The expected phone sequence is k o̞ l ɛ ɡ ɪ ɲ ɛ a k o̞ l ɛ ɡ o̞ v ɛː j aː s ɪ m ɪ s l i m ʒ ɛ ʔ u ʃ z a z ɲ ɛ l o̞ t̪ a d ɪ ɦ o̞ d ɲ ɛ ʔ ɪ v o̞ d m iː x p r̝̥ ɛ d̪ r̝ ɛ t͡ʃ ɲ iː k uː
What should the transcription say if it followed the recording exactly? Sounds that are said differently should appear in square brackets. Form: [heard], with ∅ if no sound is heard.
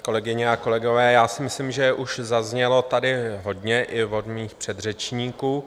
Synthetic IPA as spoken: k o̞ l ɛ ɡ ɪ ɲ ɛ a k o̞ l ɛ ɡ o̞ v ɛː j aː s ɪ m ɪ s l i m ʒ ɛ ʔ u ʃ z a z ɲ ɛ l o̞ t̪ a d ɪ ɦ o̞ d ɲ ɛ ʔ ɪ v o̞ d m iː x p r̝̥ ɛ d̪ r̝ ɛ t͡ʃ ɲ iː k uː

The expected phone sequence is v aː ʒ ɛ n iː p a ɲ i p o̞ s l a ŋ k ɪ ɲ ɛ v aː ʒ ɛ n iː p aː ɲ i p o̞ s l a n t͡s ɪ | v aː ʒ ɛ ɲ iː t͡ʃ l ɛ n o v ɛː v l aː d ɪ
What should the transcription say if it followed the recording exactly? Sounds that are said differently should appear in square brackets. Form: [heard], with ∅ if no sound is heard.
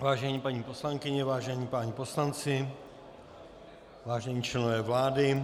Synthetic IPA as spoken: v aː ʒ ɛ [ɲ] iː p a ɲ i p o̞ s l a ŋ k ɪ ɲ ɛ v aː ʒ ɛ [ɲ] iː p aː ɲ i p o̞ s l a n t͡s ɪ | v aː ʒ ɛ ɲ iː t͡ʃ l ɛ n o v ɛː v l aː d ɪ

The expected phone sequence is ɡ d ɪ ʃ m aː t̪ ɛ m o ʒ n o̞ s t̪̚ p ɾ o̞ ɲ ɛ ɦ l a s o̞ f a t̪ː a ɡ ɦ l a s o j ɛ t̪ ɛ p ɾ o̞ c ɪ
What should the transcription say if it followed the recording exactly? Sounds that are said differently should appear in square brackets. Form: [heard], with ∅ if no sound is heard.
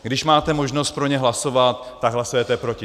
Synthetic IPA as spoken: ɡ d ɪ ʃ m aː t̪ ɛ m o ʒ n o̞ s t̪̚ p ɾ o̞ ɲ ɛ ɦ l a s o̞ [v] a t̪ː a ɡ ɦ l a s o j ɛ t̪ ɛ p ɾ o̞ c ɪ

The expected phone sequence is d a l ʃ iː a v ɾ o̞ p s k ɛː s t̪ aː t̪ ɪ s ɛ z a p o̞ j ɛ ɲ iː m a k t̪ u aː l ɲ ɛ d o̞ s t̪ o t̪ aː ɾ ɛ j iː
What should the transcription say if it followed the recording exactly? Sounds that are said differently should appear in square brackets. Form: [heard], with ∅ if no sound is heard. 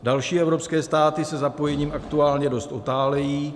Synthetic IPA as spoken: d a l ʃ iː [ɛ] v ɾ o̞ p s k ɛː s t̪ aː t̪ ɪ s ɛ z a p o̞ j ɛ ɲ iː m a k t̪ u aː l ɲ ɛ d o̞ s t̪ o t̪ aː [l] ɛ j iː

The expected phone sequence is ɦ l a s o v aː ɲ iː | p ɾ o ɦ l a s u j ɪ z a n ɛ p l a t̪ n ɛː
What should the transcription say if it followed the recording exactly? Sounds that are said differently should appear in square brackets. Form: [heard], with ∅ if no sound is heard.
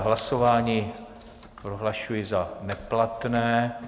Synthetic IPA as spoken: ɦ l a s o v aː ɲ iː | p ɾ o ɦ l a [ʃ] u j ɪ z a n ɛ p l a t̪ n ɛː

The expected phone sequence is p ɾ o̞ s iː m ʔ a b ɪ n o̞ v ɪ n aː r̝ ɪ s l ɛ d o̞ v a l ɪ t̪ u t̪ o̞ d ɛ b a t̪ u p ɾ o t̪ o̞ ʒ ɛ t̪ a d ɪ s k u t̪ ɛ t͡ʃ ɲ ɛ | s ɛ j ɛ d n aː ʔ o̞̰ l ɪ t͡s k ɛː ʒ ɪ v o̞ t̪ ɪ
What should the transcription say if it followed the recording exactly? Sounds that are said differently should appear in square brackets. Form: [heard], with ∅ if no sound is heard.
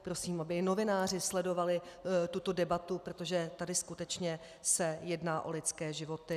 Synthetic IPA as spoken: p ɾ o̞ s iː m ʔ a b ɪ n o̞ v ɪ n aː r̝ ɪ s l ɛ d o̞ v a l ɪ t̪ u t̪ o̞ d ɛ b a t̪ u p ɾ o t̪ o̞ ʒ ɛ t̪ a d ɪ s k u t̪ ɛ t͡ʃ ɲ ɛ | s ɛ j ɛ d n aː ʔ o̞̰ l ɪ t͡s k ɛː ʒ ɪ v o̞ t̪ ɪ

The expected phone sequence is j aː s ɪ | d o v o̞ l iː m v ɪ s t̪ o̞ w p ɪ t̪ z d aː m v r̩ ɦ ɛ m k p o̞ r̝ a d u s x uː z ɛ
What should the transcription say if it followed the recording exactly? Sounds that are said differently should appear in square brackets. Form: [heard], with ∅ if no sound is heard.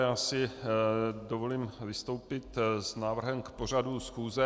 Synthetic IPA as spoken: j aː s ɪ | d o v o̞ l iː m v ɪ s t̪ o̞ w p ɪ t̪ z [n] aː [∅] v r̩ ɦ ɛ m k p o̞ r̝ a d u s x uː z ɛ

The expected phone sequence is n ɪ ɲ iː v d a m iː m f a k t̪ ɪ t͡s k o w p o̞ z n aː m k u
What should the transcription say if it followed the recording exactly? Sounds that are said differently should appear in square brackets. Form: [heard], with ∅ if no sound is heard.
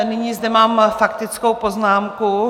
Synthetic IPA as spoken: n ɪ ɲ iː [z] d [ɛ] m [aː] m f a k t̪ ɪ t͡s k o w p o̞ z n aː m k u

